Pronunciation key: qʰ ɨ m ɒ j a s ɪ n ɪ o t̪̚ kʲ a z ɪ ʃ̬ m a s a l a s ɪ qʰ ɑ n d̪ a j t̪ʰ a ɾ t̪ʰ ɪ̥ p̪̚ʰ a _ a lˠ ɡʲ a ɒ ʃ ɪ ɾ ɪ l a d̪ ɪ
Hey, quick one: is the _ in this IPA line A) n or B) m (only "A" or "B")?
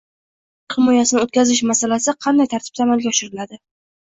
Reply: B